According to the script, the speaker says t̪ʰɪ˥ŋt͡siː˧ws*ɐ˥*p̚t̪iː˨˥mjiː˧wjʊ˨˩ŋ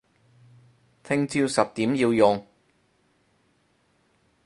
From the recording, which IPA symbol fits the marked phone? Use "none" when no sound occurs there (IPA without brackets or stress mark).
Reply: ɐ˨